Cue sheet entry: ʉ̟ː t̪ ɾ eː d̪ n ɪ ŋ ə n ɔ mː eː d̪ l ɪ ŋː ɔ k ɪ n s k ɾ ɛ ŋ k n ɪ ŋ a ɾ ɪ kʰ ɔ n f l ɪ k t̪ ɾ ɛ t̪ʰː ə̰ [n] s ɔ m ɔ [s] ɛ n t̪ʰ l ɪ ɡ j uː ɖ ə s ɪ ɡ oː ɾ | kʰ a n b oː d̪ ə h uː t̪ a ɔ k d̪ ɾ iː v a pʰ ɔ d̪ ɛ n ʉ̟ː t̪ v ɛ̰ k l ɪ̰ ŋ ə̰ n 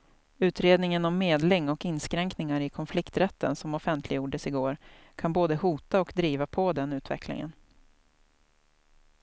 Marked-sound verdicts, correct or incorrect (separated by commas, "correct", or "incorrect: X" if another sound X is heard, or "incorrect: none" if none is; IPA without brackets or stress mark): correct, incorrect: f